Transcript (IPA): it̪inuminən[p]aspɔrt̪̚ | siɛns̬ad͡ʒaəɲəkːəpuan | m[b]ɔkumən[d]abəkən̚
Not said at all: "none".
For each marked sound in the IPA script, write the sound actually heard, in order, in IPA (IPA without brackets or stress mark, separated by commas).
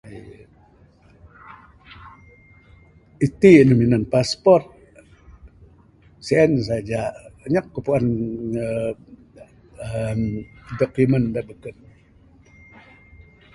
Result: p, d, d